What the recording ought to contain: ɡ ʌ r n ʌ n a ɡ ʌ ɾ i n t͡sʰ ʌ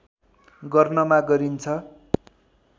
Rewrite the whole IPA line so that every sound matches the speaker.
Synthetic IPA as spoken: ɡ ʌ r n ʌ m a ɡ ʌ ɾ i n t͡sʰ ʌ